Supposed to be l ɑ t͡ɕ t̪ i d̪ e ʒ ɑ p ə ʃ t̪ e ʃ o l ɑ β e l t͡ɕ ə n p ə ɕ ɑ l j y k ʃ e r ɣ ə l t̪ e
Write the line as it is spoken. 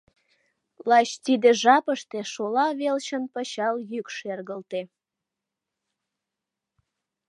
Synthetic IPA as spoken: l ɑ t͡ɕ t̪ i d̪ e ʒ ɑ p ə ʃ t̪ e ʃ o l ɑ β e l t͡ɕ ə n p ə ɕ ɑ l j y k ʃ e r ɣ ə l t̪ e